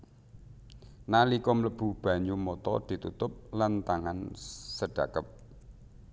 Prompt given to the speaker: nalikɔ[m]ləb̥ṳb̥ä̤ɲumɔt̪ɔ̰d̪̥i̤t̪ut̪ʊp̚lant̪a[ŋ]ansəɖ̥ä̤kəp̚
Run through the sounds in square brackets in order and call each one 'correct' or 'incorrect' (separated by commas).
correct, correct